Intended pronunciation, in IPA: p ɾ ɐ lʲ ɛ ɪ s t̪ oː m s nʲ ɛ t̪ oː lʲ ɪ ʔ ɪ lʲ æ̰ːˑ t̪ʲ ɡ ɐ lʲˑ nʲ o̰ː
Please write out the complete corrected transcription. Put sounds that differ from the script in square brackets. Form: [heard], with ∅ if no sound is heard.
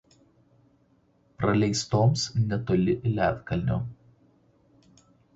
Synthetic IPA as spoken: p ɾ ɐ lʲ ɛ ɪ s t̪ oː m s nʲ ɛ t̪ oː lʲ ɪ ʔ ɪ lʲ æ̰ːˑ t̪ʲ [k] ɐ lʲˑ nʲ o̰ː